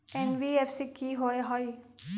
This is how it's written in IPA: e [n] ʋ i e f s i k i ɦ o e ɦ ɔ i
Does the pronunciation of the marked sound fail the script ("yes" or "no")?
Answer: no